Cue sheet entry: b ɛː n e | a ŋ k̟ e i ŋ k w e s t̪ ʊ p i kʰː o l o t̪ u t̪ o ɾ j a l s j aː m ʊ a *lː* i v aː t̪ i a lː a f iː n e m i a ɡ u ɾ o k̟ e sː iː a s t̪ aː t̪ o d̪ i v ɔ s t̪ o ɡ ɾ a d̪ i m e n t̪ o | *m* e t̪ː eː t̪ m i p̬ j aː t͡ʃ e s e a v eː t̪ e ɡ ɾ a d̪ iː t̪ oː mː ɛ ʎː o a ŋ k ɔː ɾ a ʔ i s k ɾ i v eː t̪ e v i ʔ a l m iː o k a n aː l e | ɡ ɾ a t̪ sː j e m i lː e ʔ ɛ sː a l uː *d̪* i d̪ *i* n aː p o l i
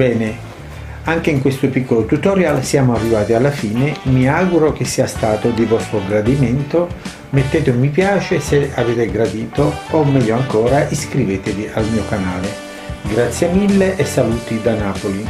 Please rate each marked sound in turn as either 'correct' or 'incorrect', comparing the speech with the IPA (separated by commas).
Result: incorrect, correct, incorrect, incorrect